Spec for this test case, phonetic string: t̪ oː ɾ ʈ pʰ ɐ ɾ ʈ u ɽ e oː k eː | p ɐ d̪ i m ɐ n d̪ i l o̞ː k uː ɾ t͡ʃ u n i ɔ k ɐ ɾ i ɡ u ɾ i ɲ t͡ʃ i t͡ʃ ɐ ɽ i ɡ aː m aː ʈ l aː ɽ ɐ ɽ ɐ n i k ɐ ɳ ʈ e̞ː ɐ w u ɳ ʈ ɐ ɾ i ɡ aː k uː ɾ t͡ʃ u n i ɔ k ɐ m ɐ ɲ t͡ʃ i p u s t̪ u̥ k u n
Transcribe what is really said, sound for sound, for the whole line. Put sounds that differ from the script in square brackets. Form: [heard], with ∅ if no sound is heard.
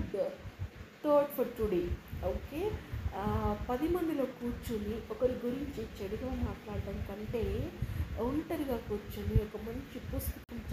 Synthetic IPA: t̪ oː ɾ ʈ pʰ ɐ ɾ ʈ u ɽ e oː k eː | p ɐ d̪ i m ɐ n d̪ i l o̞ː k uː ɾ t͡ʃ u n i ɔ k ɐ ɾ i ɡ u ɾ i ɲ t͡ʃ i t͡ʃ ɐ ɽ i ɡ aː m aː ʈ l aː ɽ ɐ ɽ ɐ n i k ɐ ɳ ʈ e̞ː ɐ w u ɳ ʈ ɐ ɾ i ɡ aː k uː ɾ t͡ʃ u n i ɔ k ɐ m ɐ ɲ t͡ʃ i p u s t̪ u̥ k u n